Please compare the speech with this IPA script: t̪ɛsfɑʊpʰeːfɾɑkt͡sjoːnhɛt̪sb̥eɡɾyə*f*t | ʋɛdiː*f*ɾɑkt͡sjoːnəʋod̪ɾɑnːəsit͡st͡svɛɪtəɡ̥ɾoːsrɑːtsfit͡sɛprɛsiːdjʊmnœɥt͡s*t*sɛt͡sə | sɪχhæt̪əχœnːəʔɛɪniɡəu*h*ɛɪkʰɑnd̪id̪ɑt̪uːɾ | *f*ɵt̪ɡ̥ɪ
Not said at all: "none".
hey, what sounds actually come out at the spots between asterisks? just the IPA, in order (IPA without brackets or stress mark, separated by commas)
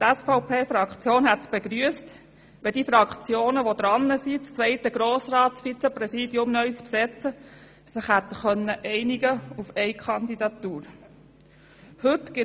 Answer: s, f, p, f, h